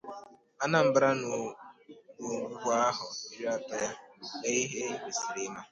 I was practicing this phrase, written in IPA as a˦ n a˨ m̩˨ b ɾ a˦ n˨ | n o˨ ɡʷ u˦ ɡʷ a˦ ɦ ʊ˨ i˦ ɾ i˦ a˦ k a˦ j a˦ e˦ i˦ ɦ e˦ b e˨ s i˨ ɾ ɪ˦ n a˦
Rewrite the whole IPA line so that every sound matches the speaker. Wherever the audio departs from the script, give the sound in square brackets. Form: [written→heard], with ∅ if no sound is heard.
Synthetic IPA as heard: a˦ n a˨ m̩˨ b ɾ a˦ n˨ | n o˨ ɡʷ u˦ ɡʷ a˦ ɦ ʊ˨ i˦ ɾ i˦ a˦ [k→t] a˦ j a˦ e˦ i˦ ɦ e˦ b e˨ s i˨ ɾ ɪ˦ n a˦